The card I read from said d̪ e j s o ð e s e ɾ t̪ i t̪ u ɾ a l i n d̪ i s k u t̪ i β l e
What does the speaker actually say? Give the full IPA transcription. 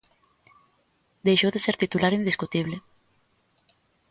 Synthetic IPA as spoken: d̪ e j ʃ o ð e s e ɾ t̪ i t̪ u l a ɾ i n d̪ i s k u t̪ i β l e